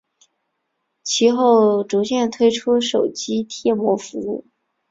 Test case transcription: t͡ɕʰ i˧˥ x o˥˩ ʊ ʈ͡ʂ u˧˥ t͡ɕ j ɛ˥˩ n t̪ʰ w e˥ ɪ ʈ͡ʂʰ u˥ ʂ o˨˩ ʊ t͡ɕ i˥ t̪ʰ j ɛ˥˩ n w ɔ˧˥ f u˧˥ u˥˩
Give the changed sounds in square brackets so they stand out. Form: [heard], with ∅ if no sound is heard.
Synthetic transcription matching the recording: t͡ɕʰ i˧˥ x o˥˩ ʊ ʈ͡ʂ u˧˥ t͡ɕ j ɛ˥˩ n t̪ʰ w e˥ ɪ ʈ͡ʂʰ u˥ ʂ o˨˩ ʊ t͡ɕ i˥ t̪ʰ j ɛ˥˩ [m] w ɔ˧˥ f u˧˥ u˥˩